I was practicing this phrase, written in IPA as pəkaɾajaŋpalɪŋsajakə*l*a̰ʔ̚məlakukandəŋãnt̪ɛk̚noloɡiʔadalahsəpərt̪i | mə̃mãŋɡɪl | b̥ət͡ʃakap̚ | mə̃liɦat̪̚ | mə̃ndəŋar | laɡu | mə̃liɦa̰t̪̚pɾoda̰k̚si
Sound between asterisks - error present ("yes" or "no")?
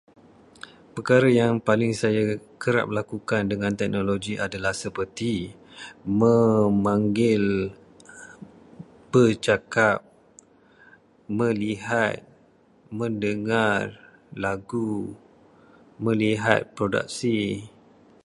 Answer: yes